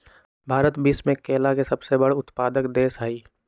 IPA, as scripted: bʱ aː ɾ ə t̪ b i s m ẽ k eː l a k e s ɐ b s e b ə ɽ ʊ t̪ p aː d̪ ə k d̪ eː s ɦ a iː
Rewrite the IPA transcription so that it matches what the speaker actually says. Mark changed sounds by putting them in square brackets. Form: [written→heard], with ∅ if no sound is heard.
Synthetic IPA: bʱ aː ɾ ə t̪ b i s m ẽ k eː l a k e s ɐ b s e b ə ɽ ʊ t̪ p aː d̪ ə k d̪ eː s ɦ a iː